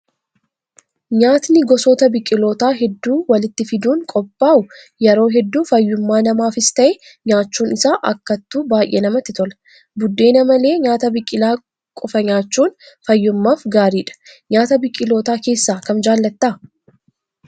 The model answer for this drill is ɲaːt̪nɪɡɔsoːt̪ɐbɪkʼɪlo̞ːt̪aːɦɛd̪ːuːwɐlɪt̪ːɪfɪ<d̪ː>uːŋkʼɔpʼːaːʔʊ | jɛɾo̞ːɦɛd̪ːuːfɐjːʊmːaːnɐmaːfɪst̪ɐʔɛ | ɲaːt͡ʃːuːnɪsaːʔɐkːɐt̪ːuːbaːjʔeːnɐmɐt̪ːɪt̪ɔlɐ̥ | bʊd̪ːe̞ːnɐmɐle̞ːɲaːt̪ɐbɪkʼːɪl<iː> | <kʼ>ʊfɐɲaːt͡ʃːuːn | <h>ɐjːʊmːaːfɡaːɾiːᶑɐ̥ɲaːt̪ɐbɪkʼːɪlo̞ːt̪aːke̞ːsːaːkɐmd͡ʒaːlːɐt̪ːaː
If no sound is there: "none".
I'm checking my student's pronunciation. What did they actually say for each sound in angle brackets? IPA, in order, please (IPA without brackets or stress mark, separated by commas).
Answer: d̪, aː, kʼ, f